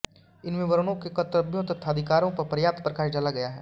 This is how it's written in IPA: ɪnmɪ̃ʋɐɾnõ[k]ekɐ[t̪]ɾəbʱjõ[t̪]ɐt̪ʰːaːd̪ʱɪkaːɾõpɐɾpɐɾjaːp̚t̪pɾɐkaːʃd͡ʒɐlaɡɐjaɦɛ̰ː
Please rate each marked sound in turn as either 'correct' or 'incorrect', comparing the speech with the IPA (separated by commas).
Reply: correct, correct, correct